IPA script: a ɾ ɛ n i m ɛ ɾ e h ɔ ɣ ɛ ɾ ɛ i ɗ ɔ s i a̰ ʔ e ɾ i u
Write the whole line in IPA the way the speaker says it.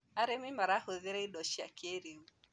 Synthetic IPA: a ɾ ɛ m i m a ɾ a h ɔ ð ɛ ɾ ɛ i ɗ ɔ ʃ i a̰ k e ɾ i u